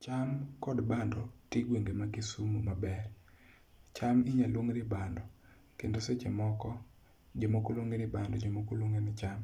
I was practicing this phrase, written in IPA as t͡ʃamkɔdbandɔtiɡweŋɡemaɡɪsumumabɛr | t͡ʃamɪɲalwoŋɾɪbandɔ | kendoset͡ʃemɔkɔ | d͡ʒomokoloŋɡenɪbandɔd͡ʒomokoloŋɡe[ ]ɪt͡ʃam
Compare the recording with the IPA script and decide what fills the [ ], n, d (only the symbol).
n